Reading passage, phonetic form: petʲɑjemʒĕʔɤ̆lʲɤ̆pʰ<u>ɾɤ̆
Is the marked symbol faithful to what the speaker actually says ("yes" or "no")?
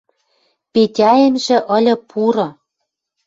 yes